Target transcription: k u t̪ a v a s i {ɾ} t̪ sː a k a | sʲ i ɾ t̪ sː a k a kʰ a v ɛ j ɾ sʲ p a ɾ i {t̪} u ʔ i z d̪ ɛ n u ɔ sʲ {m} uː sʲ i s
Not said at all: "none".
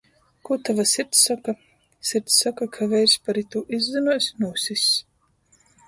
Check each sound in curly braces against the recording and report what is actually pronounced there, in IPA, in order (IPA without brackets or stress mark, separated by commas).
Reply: ɾ, t̪, n